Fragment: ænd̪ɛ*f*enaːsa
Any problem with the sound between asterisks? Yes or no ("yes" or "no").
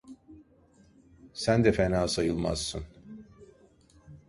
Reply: no